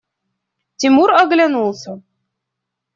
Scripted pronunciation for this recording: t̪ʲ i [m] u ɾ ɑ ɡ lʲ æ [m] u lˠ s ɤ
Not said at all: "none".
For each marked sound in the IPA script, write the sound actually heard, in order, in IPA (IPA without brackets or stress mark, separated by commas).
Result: m, n